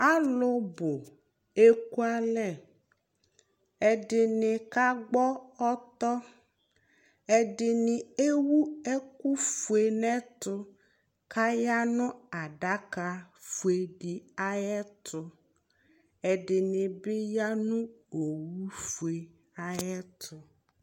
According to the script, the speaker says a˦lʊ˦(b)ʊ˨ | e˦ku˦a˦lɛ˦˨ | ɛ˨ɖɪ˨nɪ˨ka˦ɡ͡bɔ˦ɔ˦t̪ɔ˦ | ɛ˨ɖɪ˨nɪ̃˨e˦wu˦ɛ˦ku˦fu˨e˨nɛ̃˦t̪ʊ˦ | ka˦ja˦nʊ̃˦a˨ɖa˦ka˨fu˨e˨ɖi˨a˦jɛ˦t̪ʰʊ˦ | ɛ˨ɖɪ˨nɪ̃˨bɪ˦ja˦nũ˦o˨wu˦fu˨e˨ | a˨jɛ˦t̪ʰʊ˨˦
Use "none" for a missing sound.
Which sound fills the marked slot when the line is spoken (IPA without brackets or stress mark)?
b